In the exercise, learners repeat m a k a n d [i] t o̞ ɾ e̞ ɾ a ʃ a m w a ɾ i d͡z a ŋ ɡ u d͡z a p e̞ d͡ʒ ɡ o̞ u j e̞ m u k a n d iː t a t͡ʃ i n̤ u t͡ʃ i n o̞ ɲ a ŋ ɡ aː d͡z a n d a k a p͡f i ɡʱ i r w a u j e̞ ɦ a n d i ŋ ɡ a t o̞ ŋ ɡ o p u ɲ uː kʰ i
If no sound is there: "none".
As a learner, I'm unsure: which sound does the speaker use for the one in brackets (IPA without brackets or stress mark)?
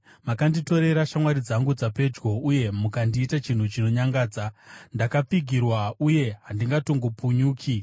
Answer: i